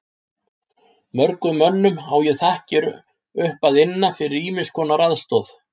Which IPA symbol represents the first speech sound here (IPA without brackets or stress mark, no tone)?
m